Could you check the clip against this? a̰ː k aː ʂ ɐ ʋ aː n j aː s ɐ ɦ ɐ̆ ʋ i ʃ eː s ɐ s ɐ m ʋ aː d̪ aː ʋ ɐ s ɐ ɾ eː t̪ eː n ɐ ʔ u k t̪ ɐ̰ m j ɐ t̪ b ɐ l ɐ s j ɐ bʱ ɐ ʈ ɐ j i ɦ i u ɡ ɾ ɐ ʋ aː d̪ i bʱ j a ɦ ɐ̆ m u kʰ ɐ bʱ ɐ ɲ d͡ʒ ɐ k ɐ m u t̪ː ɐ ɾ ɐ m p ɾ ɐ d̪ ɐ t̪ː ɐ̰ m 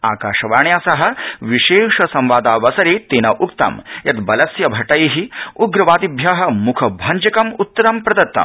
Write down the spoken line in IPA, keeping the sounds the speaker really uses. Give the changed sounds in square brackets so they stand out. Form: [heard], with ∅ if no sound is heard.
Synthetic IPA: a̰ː k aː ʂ ɐ ʋ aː [ɳ] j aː s ɐ ɦ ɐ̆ ʋ i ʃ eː [ʂ] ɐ s ɐ m ʋ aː d̪ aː ʋ ɐ s ɐ ɾ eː t̪ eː n ɐ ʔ u k t̪ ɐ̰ m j ɐ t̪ b ɐ l ɐ s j ɐ bʱ ɐ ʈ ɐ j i ɦ i u ɡ ɾ ɐ ʋ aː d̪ i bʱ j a ɦ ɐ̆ m u kʰ ɐ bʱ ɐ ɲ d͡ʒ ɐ k ɐ m u t̪ː ɐ ɾ ɐ m p ɾ ɐ d̪ ɐ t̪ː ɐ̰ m